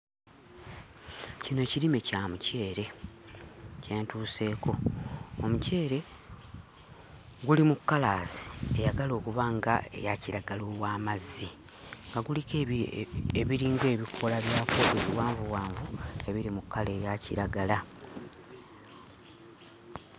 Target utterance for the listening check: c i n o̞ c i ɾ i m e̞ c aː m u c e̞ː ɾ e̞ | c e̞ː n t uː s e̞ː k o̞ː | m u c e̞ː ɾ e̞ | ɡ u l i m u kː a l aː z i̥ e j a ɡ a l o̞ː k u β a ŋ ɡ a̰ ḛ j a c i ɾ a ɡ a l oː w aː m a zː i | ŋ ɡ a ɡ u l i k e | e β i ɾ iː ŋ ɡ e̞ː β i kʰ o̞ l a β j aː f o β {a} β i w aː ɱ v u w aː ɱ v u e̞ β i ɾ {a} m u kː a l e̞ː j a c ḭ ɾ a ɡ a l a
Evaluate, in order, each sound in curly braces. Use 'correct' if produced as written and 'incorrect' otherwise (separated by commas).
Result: incorrect, incorrect